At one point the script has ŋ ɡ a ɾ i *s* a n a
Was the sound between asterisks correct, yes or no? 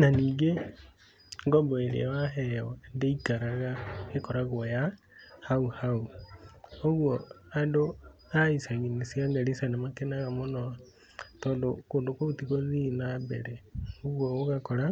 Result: yes